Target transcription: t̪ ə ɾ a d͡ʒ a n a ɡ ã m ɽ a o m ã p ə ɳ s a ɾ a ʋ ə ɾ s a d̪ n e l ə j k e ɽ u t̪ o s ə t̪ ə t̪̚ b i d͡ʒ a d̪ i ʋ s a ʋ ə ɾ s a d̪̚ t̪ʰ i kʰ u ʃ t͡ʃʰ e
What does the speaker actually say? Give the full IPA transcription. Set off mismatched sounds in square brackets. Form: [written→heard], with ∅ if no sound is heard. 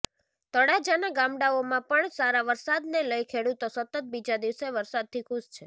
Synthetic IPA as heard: t̪ ə [ɾ→ɽ] a d͡ʒ a n a ɡ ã m ɽ a o m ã p ə ɳ s a ɾ a ʋ ə ɾ s a d̪ n e l ə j [k→kʰ] e ɽ u t̪ o s ə t̪ ə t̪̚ b i d͡ʒ a d̪ i ʋ s [a→e] ʋ ə ɾ s a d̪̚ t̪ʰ i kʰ u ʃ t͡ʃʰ e